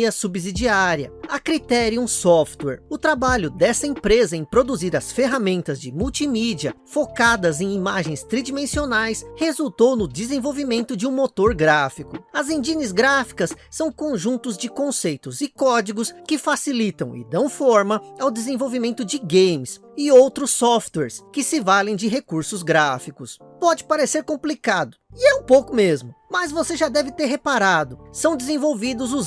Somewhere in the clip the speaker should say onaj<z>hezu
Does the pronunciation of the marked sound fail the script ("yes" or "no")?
yes